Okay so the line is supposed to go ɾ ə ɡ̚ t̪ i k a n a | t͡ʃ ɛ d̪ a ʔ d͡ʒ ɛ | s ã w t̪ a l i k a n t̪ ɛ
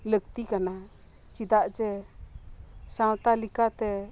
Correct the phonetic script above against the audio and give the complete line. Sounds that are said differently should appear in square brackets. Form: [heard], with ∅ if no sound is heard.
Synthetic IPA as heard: [l] ə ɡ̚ t̪ i k a n a | t͡ʃ [i] d̪ a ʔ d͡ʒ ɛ | s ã w t̪ a l i k a [∅] t̪ ɛ